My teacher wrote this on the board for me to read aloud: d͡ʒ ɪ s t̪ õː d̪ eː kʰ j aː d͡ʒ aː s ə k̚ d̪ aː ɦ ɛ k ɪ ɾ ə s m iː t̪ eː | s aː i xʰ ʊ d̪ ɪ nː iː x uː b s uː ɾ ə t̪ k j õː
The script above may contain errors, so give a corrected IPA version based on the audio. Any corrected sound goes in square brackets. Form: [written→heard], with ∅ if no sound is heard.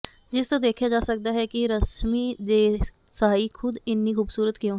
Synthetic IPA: d͡ʒ ɪ s t̪ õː d̪ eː kʰ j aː d͡ʒ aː s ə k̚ d̪ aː ɦ ɛ k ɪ ɾ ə s m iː [t̪→d̪] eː | s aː i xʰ ʊ d̪ ɪ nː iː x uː b s uː ɾ ə t̪ k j õː

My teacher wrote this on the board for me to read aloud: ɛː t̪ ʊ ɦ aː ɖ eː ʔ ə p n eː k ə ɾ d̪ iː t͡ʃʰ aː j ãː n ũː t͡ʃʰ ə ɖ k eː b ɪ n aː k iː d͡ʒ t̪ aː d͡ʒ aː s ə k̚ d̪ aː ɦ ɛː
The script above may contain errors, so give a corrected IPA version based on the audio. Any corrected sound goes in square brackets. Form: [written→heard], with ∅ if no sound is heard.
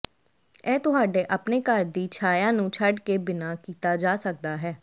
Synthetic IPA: ɛː t̪ ʊ ɦ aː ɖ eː ʔ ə p n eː k ə ɾ d̪ iː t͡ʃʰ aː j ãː n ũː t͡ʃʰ ə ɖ k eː b ɪ n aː k iː [d͡ʒ→∅] t̪ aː d͡ʒ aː s ə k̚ d̪ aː ɦ ɛː

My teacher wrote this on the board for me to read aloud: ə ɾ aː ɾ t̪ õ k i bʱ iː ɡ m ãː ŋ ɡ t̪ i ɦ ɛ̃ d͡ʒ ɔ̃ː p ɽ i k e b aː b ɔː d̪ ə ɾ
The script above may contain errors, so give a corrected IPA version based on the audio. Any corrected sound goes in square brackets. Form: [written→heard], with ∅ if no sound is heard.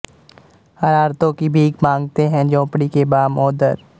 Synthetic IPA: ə ɾ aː ɾ t̪ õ k i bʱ iː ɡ m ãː ŋ ɡ t̪ [i→e] ɦ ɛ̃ d͡ʒ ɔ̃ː p ɽ i k e b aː [b→m] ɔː d̪ ə ɾ

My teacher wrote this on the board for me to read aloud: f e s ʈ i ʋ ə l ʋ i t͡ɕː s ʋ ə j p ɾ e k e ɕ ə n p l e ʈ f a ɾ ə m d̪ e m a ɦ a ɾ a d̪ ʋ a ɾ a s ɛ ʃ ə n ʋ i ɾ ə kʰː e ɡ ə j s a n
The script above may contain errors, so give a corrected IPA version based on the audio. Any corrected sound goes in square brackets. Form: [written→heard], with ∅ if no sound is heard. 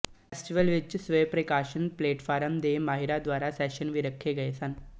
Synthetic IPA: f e s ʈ i ʋ ə l ʋ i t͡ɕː s ʋ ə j p ɾ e k [e→a] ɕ ə n p l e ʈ f a ɾ ə m d̪ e m a ɦ [a→i] ɾ a d̪ ʋ a ɾ a s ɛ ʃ ə n ʋ i ɾ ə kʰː e ɡ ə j s a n

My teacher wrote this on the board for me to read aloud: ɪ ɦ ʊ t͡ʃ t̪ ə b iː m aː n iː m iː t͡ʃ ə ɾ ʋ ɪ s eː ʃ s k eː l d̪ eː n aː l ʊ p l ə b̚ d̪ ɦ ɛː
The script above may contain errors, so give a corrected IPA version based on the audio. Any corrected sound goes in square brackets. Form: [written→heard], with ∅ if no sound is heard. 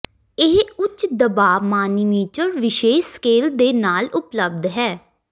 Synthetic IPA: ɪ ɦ ʊ t͡ʃ [t̪→d̪] ə b [iː→aː] m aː n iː m iː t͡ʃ ə ɾ ʋ ɪ [s→ʃ] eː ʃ s k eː l d̪ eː n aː l ʊ p l ə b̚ d̪ ɦ ɛː

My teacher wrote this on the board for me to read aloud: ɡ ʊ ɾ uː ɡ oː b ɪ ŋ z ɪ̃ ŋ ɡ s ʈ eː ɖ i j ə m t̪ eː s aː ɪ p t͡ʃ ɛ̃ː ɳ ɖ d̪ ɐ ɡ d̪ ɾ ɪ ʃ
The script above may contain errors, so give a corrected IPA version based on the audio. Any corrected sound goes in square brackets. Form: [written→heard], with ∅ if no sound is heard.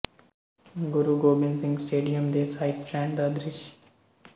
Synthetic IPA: ɡ ʊ ɾ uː ɡ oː b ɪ [ŋ→n] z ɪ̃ ŋ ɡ s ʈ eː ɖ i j ə m [t̪→d̪] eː s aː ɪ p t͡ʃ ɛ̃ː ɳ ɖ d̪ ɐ [ɡ→∅] d̪ ɾ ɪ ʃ

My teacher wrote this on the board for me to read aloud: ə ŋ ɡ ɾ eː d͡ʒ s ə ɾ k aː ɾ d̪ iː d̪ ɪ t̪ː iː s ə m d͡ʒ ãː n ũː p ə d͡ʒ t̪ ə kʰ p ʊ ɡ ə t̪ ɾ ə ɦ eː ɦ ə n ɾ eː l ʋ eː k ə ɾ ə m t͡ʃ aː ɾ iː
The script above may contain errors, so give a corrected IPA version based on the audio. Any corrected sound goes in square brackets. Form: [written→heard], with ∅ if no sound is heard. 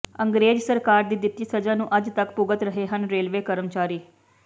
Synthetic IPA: ə ŋ ɡ ɾ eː d͡ʒ s ə ɾ k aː ɾ d̪ iː d̪ ɪ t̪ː iː s ə [m→∅] d͡ʒ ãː n ũː [p→ʔ] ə d͡ʒ t̪ ə [kʰ→k] p ʊ ɡ ə t̪ ɾ ə ɦ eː ɦ ə n ɾ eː l ʋ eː k ə ɾ ə m t͡ʃ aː ɾ iː

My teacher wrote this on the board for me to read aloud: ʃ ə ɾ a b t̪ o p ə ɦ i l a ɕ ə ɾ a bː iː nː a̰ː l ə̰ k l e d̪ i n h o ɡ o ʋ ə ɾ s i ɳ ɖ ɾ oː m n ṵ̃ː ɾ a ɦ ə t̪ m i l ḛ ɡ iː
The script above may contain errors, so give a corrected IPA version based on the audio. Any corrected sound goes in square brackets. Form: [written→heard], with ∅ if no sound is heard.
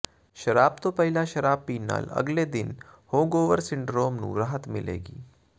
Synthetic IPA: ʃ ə ɾ a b t̪ o p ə ɦ i l a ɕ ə ɾ a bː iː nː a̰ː l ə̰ [k→ɡ] l e d̪ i n h o ɡ o ʋ ə ɾ s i ɳ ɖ ɾ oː m n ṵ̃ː ɾ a ɦ ə t̪ m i l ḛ ɡ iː

